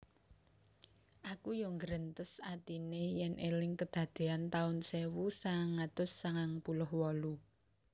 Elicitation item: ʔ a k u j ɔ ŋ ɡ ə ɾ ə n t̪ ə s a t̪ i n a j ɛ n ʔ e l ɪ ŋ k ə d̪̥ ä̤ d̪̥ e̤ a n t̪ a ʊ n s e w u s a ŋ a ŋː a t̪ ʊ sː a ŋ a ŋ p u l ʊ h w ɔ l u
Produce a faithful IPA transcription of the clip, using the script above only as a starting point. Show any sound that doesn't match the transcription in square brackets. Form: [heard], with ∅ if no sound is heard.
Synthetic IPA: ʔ a k u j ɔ ŋ ɡ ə ɾ ə n t̪ ə s a t̪ i n [e] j ɛ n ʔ e l ɪ ŋ k ə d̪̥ ä̤ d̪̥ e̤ a n t̪ a ʊ n s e w u s a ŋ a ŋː a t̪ ʊ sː a ŋ a ŋ p u l ʊ h w ɔ l u

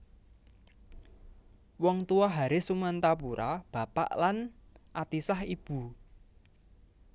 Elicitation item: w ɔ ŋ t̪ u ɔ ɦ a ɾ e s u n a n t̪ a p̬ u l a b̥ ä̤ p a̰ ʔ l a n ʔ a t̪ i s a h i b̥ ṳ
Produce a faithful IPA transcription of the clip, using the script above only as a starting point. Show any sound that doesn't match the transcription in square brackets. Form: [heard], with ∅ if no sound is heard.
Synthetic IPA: w ɔ ŋ t̪ u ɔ ɦ a ɾ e s u [m] a n t̪ a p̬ u [ɾ] a b̥ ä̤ p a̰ ʔ l a n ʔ a t̪ i s a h i b̥ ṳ

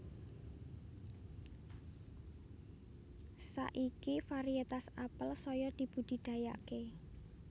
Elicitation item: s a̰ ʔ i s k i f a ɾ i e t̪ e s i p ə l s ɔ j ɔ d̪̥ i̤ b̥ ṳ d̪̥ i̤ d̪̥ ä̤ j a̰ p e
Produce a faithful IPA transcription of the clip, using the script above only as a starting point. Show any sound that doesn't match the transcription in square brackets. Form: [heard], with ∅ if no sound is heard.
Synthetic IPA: s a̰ ʔ i [∅] k i f a ɾ i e t̪ [a] s [a] p ə l s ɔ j ɔ d̪̥ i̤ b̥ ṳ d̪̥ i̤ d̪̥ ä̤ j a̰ [k] e

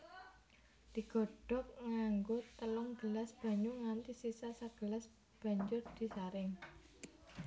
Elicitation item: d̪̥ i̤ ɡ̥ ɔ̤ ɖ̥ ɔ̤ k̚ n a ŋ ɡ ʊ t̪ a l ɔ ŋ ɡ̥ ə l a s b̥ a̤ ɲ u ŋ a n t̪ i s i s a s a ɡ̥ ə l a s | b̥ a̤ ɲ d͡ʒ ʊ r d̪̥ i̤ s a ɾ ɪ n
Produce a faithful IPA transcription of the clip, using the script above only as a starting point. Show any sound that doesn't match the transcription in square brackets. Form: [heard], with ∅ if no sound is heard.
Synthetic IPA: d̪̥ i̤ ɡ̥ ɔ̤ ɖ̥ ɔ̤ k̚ [ŋ] a ŋ ɡ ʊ t̪ [ə] l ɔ ŋ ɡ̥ ə l a s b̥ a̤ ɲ u ŋ a n t̪ i s i s a s a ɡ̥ ə l a s | b̥ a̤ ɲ d͡ʒ ʊ r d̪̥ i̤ s a ɾ ɪ [ŋ]

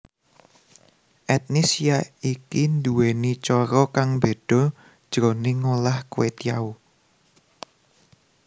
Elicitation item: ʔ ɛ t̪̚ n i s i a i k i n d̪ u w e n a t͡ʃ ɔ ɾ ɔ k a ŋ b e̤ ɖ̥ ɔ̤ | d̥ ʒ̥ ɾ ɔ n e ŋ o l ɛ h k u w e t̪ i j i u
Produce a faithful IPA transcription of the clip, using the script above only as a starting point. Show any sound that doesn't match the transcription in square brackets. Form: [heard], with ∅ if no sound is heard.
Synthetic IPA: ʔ ɛ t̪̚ n i s i a i k i n d̪ u w e n [i] t͡ʃ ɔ ɾ ɔ k a ŋ b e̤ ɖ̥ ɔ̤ | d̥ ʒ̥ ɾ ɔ n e ŋ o l [a] h k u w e t̪ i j [a] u

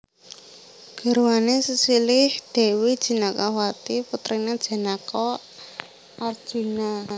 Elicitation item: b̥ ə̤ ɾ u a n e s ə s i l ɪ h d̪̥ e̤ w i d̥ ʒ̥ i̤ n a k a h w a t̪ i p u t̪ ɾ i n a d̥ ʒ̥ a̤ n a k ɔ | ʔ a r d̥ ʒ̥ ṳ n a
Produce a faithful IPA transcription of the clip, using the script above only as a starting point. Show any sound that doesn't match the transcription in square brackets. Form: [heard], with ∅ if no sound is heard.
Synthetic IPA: [ɡ̥] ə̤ ɾ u a n e s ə s i l ɪ h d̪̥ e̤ w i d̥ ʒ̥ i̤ n a k a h w a t̪ i p u t̪ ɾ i n a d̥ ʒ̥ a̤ n a k ɔ | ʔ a r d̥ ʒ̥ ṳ n a

